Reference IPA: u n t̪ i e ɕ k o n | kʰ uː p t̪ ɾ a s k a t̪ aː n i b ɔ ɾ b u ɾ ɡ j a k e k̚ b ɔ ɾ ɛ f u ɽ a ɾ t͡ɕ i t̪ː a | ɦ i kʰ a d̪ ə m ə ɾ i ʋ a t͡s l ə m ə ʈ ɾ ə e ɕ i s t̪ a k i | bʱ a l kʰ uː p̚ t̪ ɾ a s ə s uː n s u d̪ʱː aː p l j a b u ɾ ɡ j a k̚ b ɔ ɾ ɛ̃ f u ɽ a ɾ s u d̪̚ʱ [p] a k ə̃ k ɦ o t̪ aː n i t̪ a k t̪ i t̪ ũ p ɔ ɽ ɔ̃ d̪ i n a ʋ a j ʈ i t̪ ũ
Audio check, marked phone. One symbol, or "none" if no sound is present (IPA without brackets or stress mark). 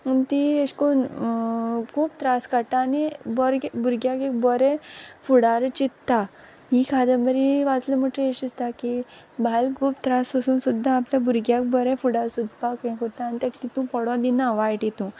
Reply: p